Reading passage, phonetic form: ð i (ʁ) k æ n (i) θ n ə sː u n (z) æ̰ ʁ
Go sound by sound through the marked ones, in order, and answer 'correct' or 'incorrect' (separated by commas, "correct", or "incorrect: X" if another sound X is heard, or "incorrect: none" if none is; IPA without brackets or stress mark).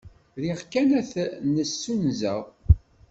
correct, incorrect: æ, correct